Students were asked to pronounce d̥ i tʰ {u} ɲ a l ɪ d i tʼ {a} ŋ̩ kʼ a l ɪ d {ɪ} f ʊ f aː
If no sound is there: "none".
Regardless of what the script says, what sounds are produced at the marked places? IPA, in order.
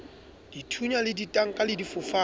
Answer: u, a, i

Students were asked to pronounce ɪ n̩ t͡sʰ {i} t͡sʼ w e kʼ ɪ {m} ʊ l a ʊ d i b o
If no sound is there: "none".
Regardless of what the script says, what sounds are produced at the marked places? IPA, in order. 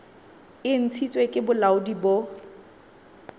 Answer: i, b

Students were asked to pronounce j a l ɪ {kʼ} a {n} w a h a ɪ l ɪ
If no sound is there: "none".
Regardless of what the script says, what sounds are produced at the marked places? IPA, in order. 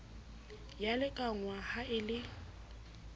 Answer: kʼ, ŋ

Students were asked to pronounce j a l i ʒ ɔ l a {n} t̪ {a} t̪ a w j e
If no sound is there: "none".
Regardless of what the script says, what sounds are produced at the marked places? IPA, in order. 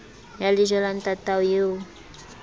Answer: n, a

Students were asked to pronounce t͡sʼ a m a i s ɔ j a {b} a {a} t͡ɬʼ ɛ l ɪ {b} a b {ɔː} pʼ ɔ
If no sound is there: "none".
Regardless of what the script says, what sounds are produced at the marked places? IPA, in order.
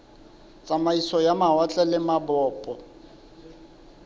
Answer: m, a, m, ɔː

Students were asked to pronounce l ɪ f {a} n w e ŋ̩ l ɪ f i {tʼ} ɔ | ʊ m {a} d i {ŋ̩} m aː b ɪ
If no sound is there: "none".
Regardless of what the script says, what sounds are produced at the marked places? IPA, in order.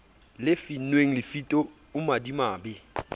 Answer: i, tʼ, a, none

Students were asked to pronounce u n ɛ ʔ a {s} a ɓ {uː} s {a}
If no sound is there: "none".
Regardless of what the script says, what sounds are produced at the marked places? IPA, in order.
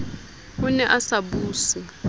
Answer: s, uː, i

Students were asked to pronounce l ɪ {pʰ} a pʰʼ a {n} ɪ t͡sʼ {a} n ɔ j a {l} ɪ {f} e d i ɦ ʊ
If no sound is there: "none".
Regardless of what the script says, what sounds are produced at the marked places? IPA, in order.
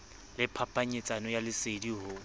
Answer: pʰ, ɲ, a, l, s

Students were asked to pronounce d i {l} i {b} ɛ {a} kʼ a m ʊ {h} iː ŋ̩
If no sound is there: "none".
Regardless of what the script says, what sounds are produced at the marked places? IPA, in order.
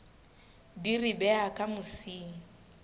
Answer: r, b, a, s

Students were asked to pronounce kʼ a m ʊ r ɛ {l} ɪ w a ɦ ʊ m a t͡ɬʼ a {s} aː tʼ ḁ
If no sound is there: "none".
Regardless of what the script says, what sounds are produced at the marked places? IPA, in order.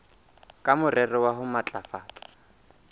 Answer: r, f

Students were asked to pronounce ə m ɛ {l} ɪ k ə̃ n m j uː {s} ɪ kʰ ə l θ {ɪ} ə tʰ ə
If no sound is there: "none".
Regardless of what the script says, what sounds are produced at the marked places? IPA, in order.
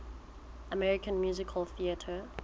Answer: ɹ, z, i

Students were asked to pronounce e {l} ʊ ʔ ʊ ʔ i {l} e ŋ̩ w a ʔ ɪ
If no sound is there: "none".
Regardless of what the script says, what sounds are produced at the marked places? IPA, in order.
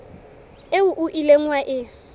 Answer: none, l

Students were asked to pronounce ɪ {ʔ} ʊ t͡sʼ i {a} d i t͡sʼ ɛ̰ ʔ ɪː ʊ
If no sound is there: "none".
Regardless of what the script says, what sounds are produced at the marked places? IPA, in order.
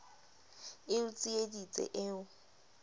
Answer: none, e

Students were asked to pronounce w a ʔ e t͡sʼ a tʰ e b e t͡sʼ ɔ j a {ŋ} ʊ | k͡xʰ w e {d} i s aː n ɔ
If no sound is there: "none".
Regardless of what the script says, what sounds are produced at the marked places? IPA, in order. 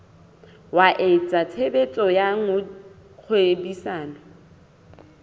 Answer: ŋ, b

